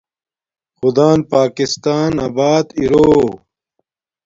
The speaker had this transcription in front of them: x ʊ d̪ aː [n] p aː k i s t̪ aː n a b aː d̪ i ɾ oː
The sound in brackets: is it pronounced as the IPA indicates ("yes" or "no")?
yes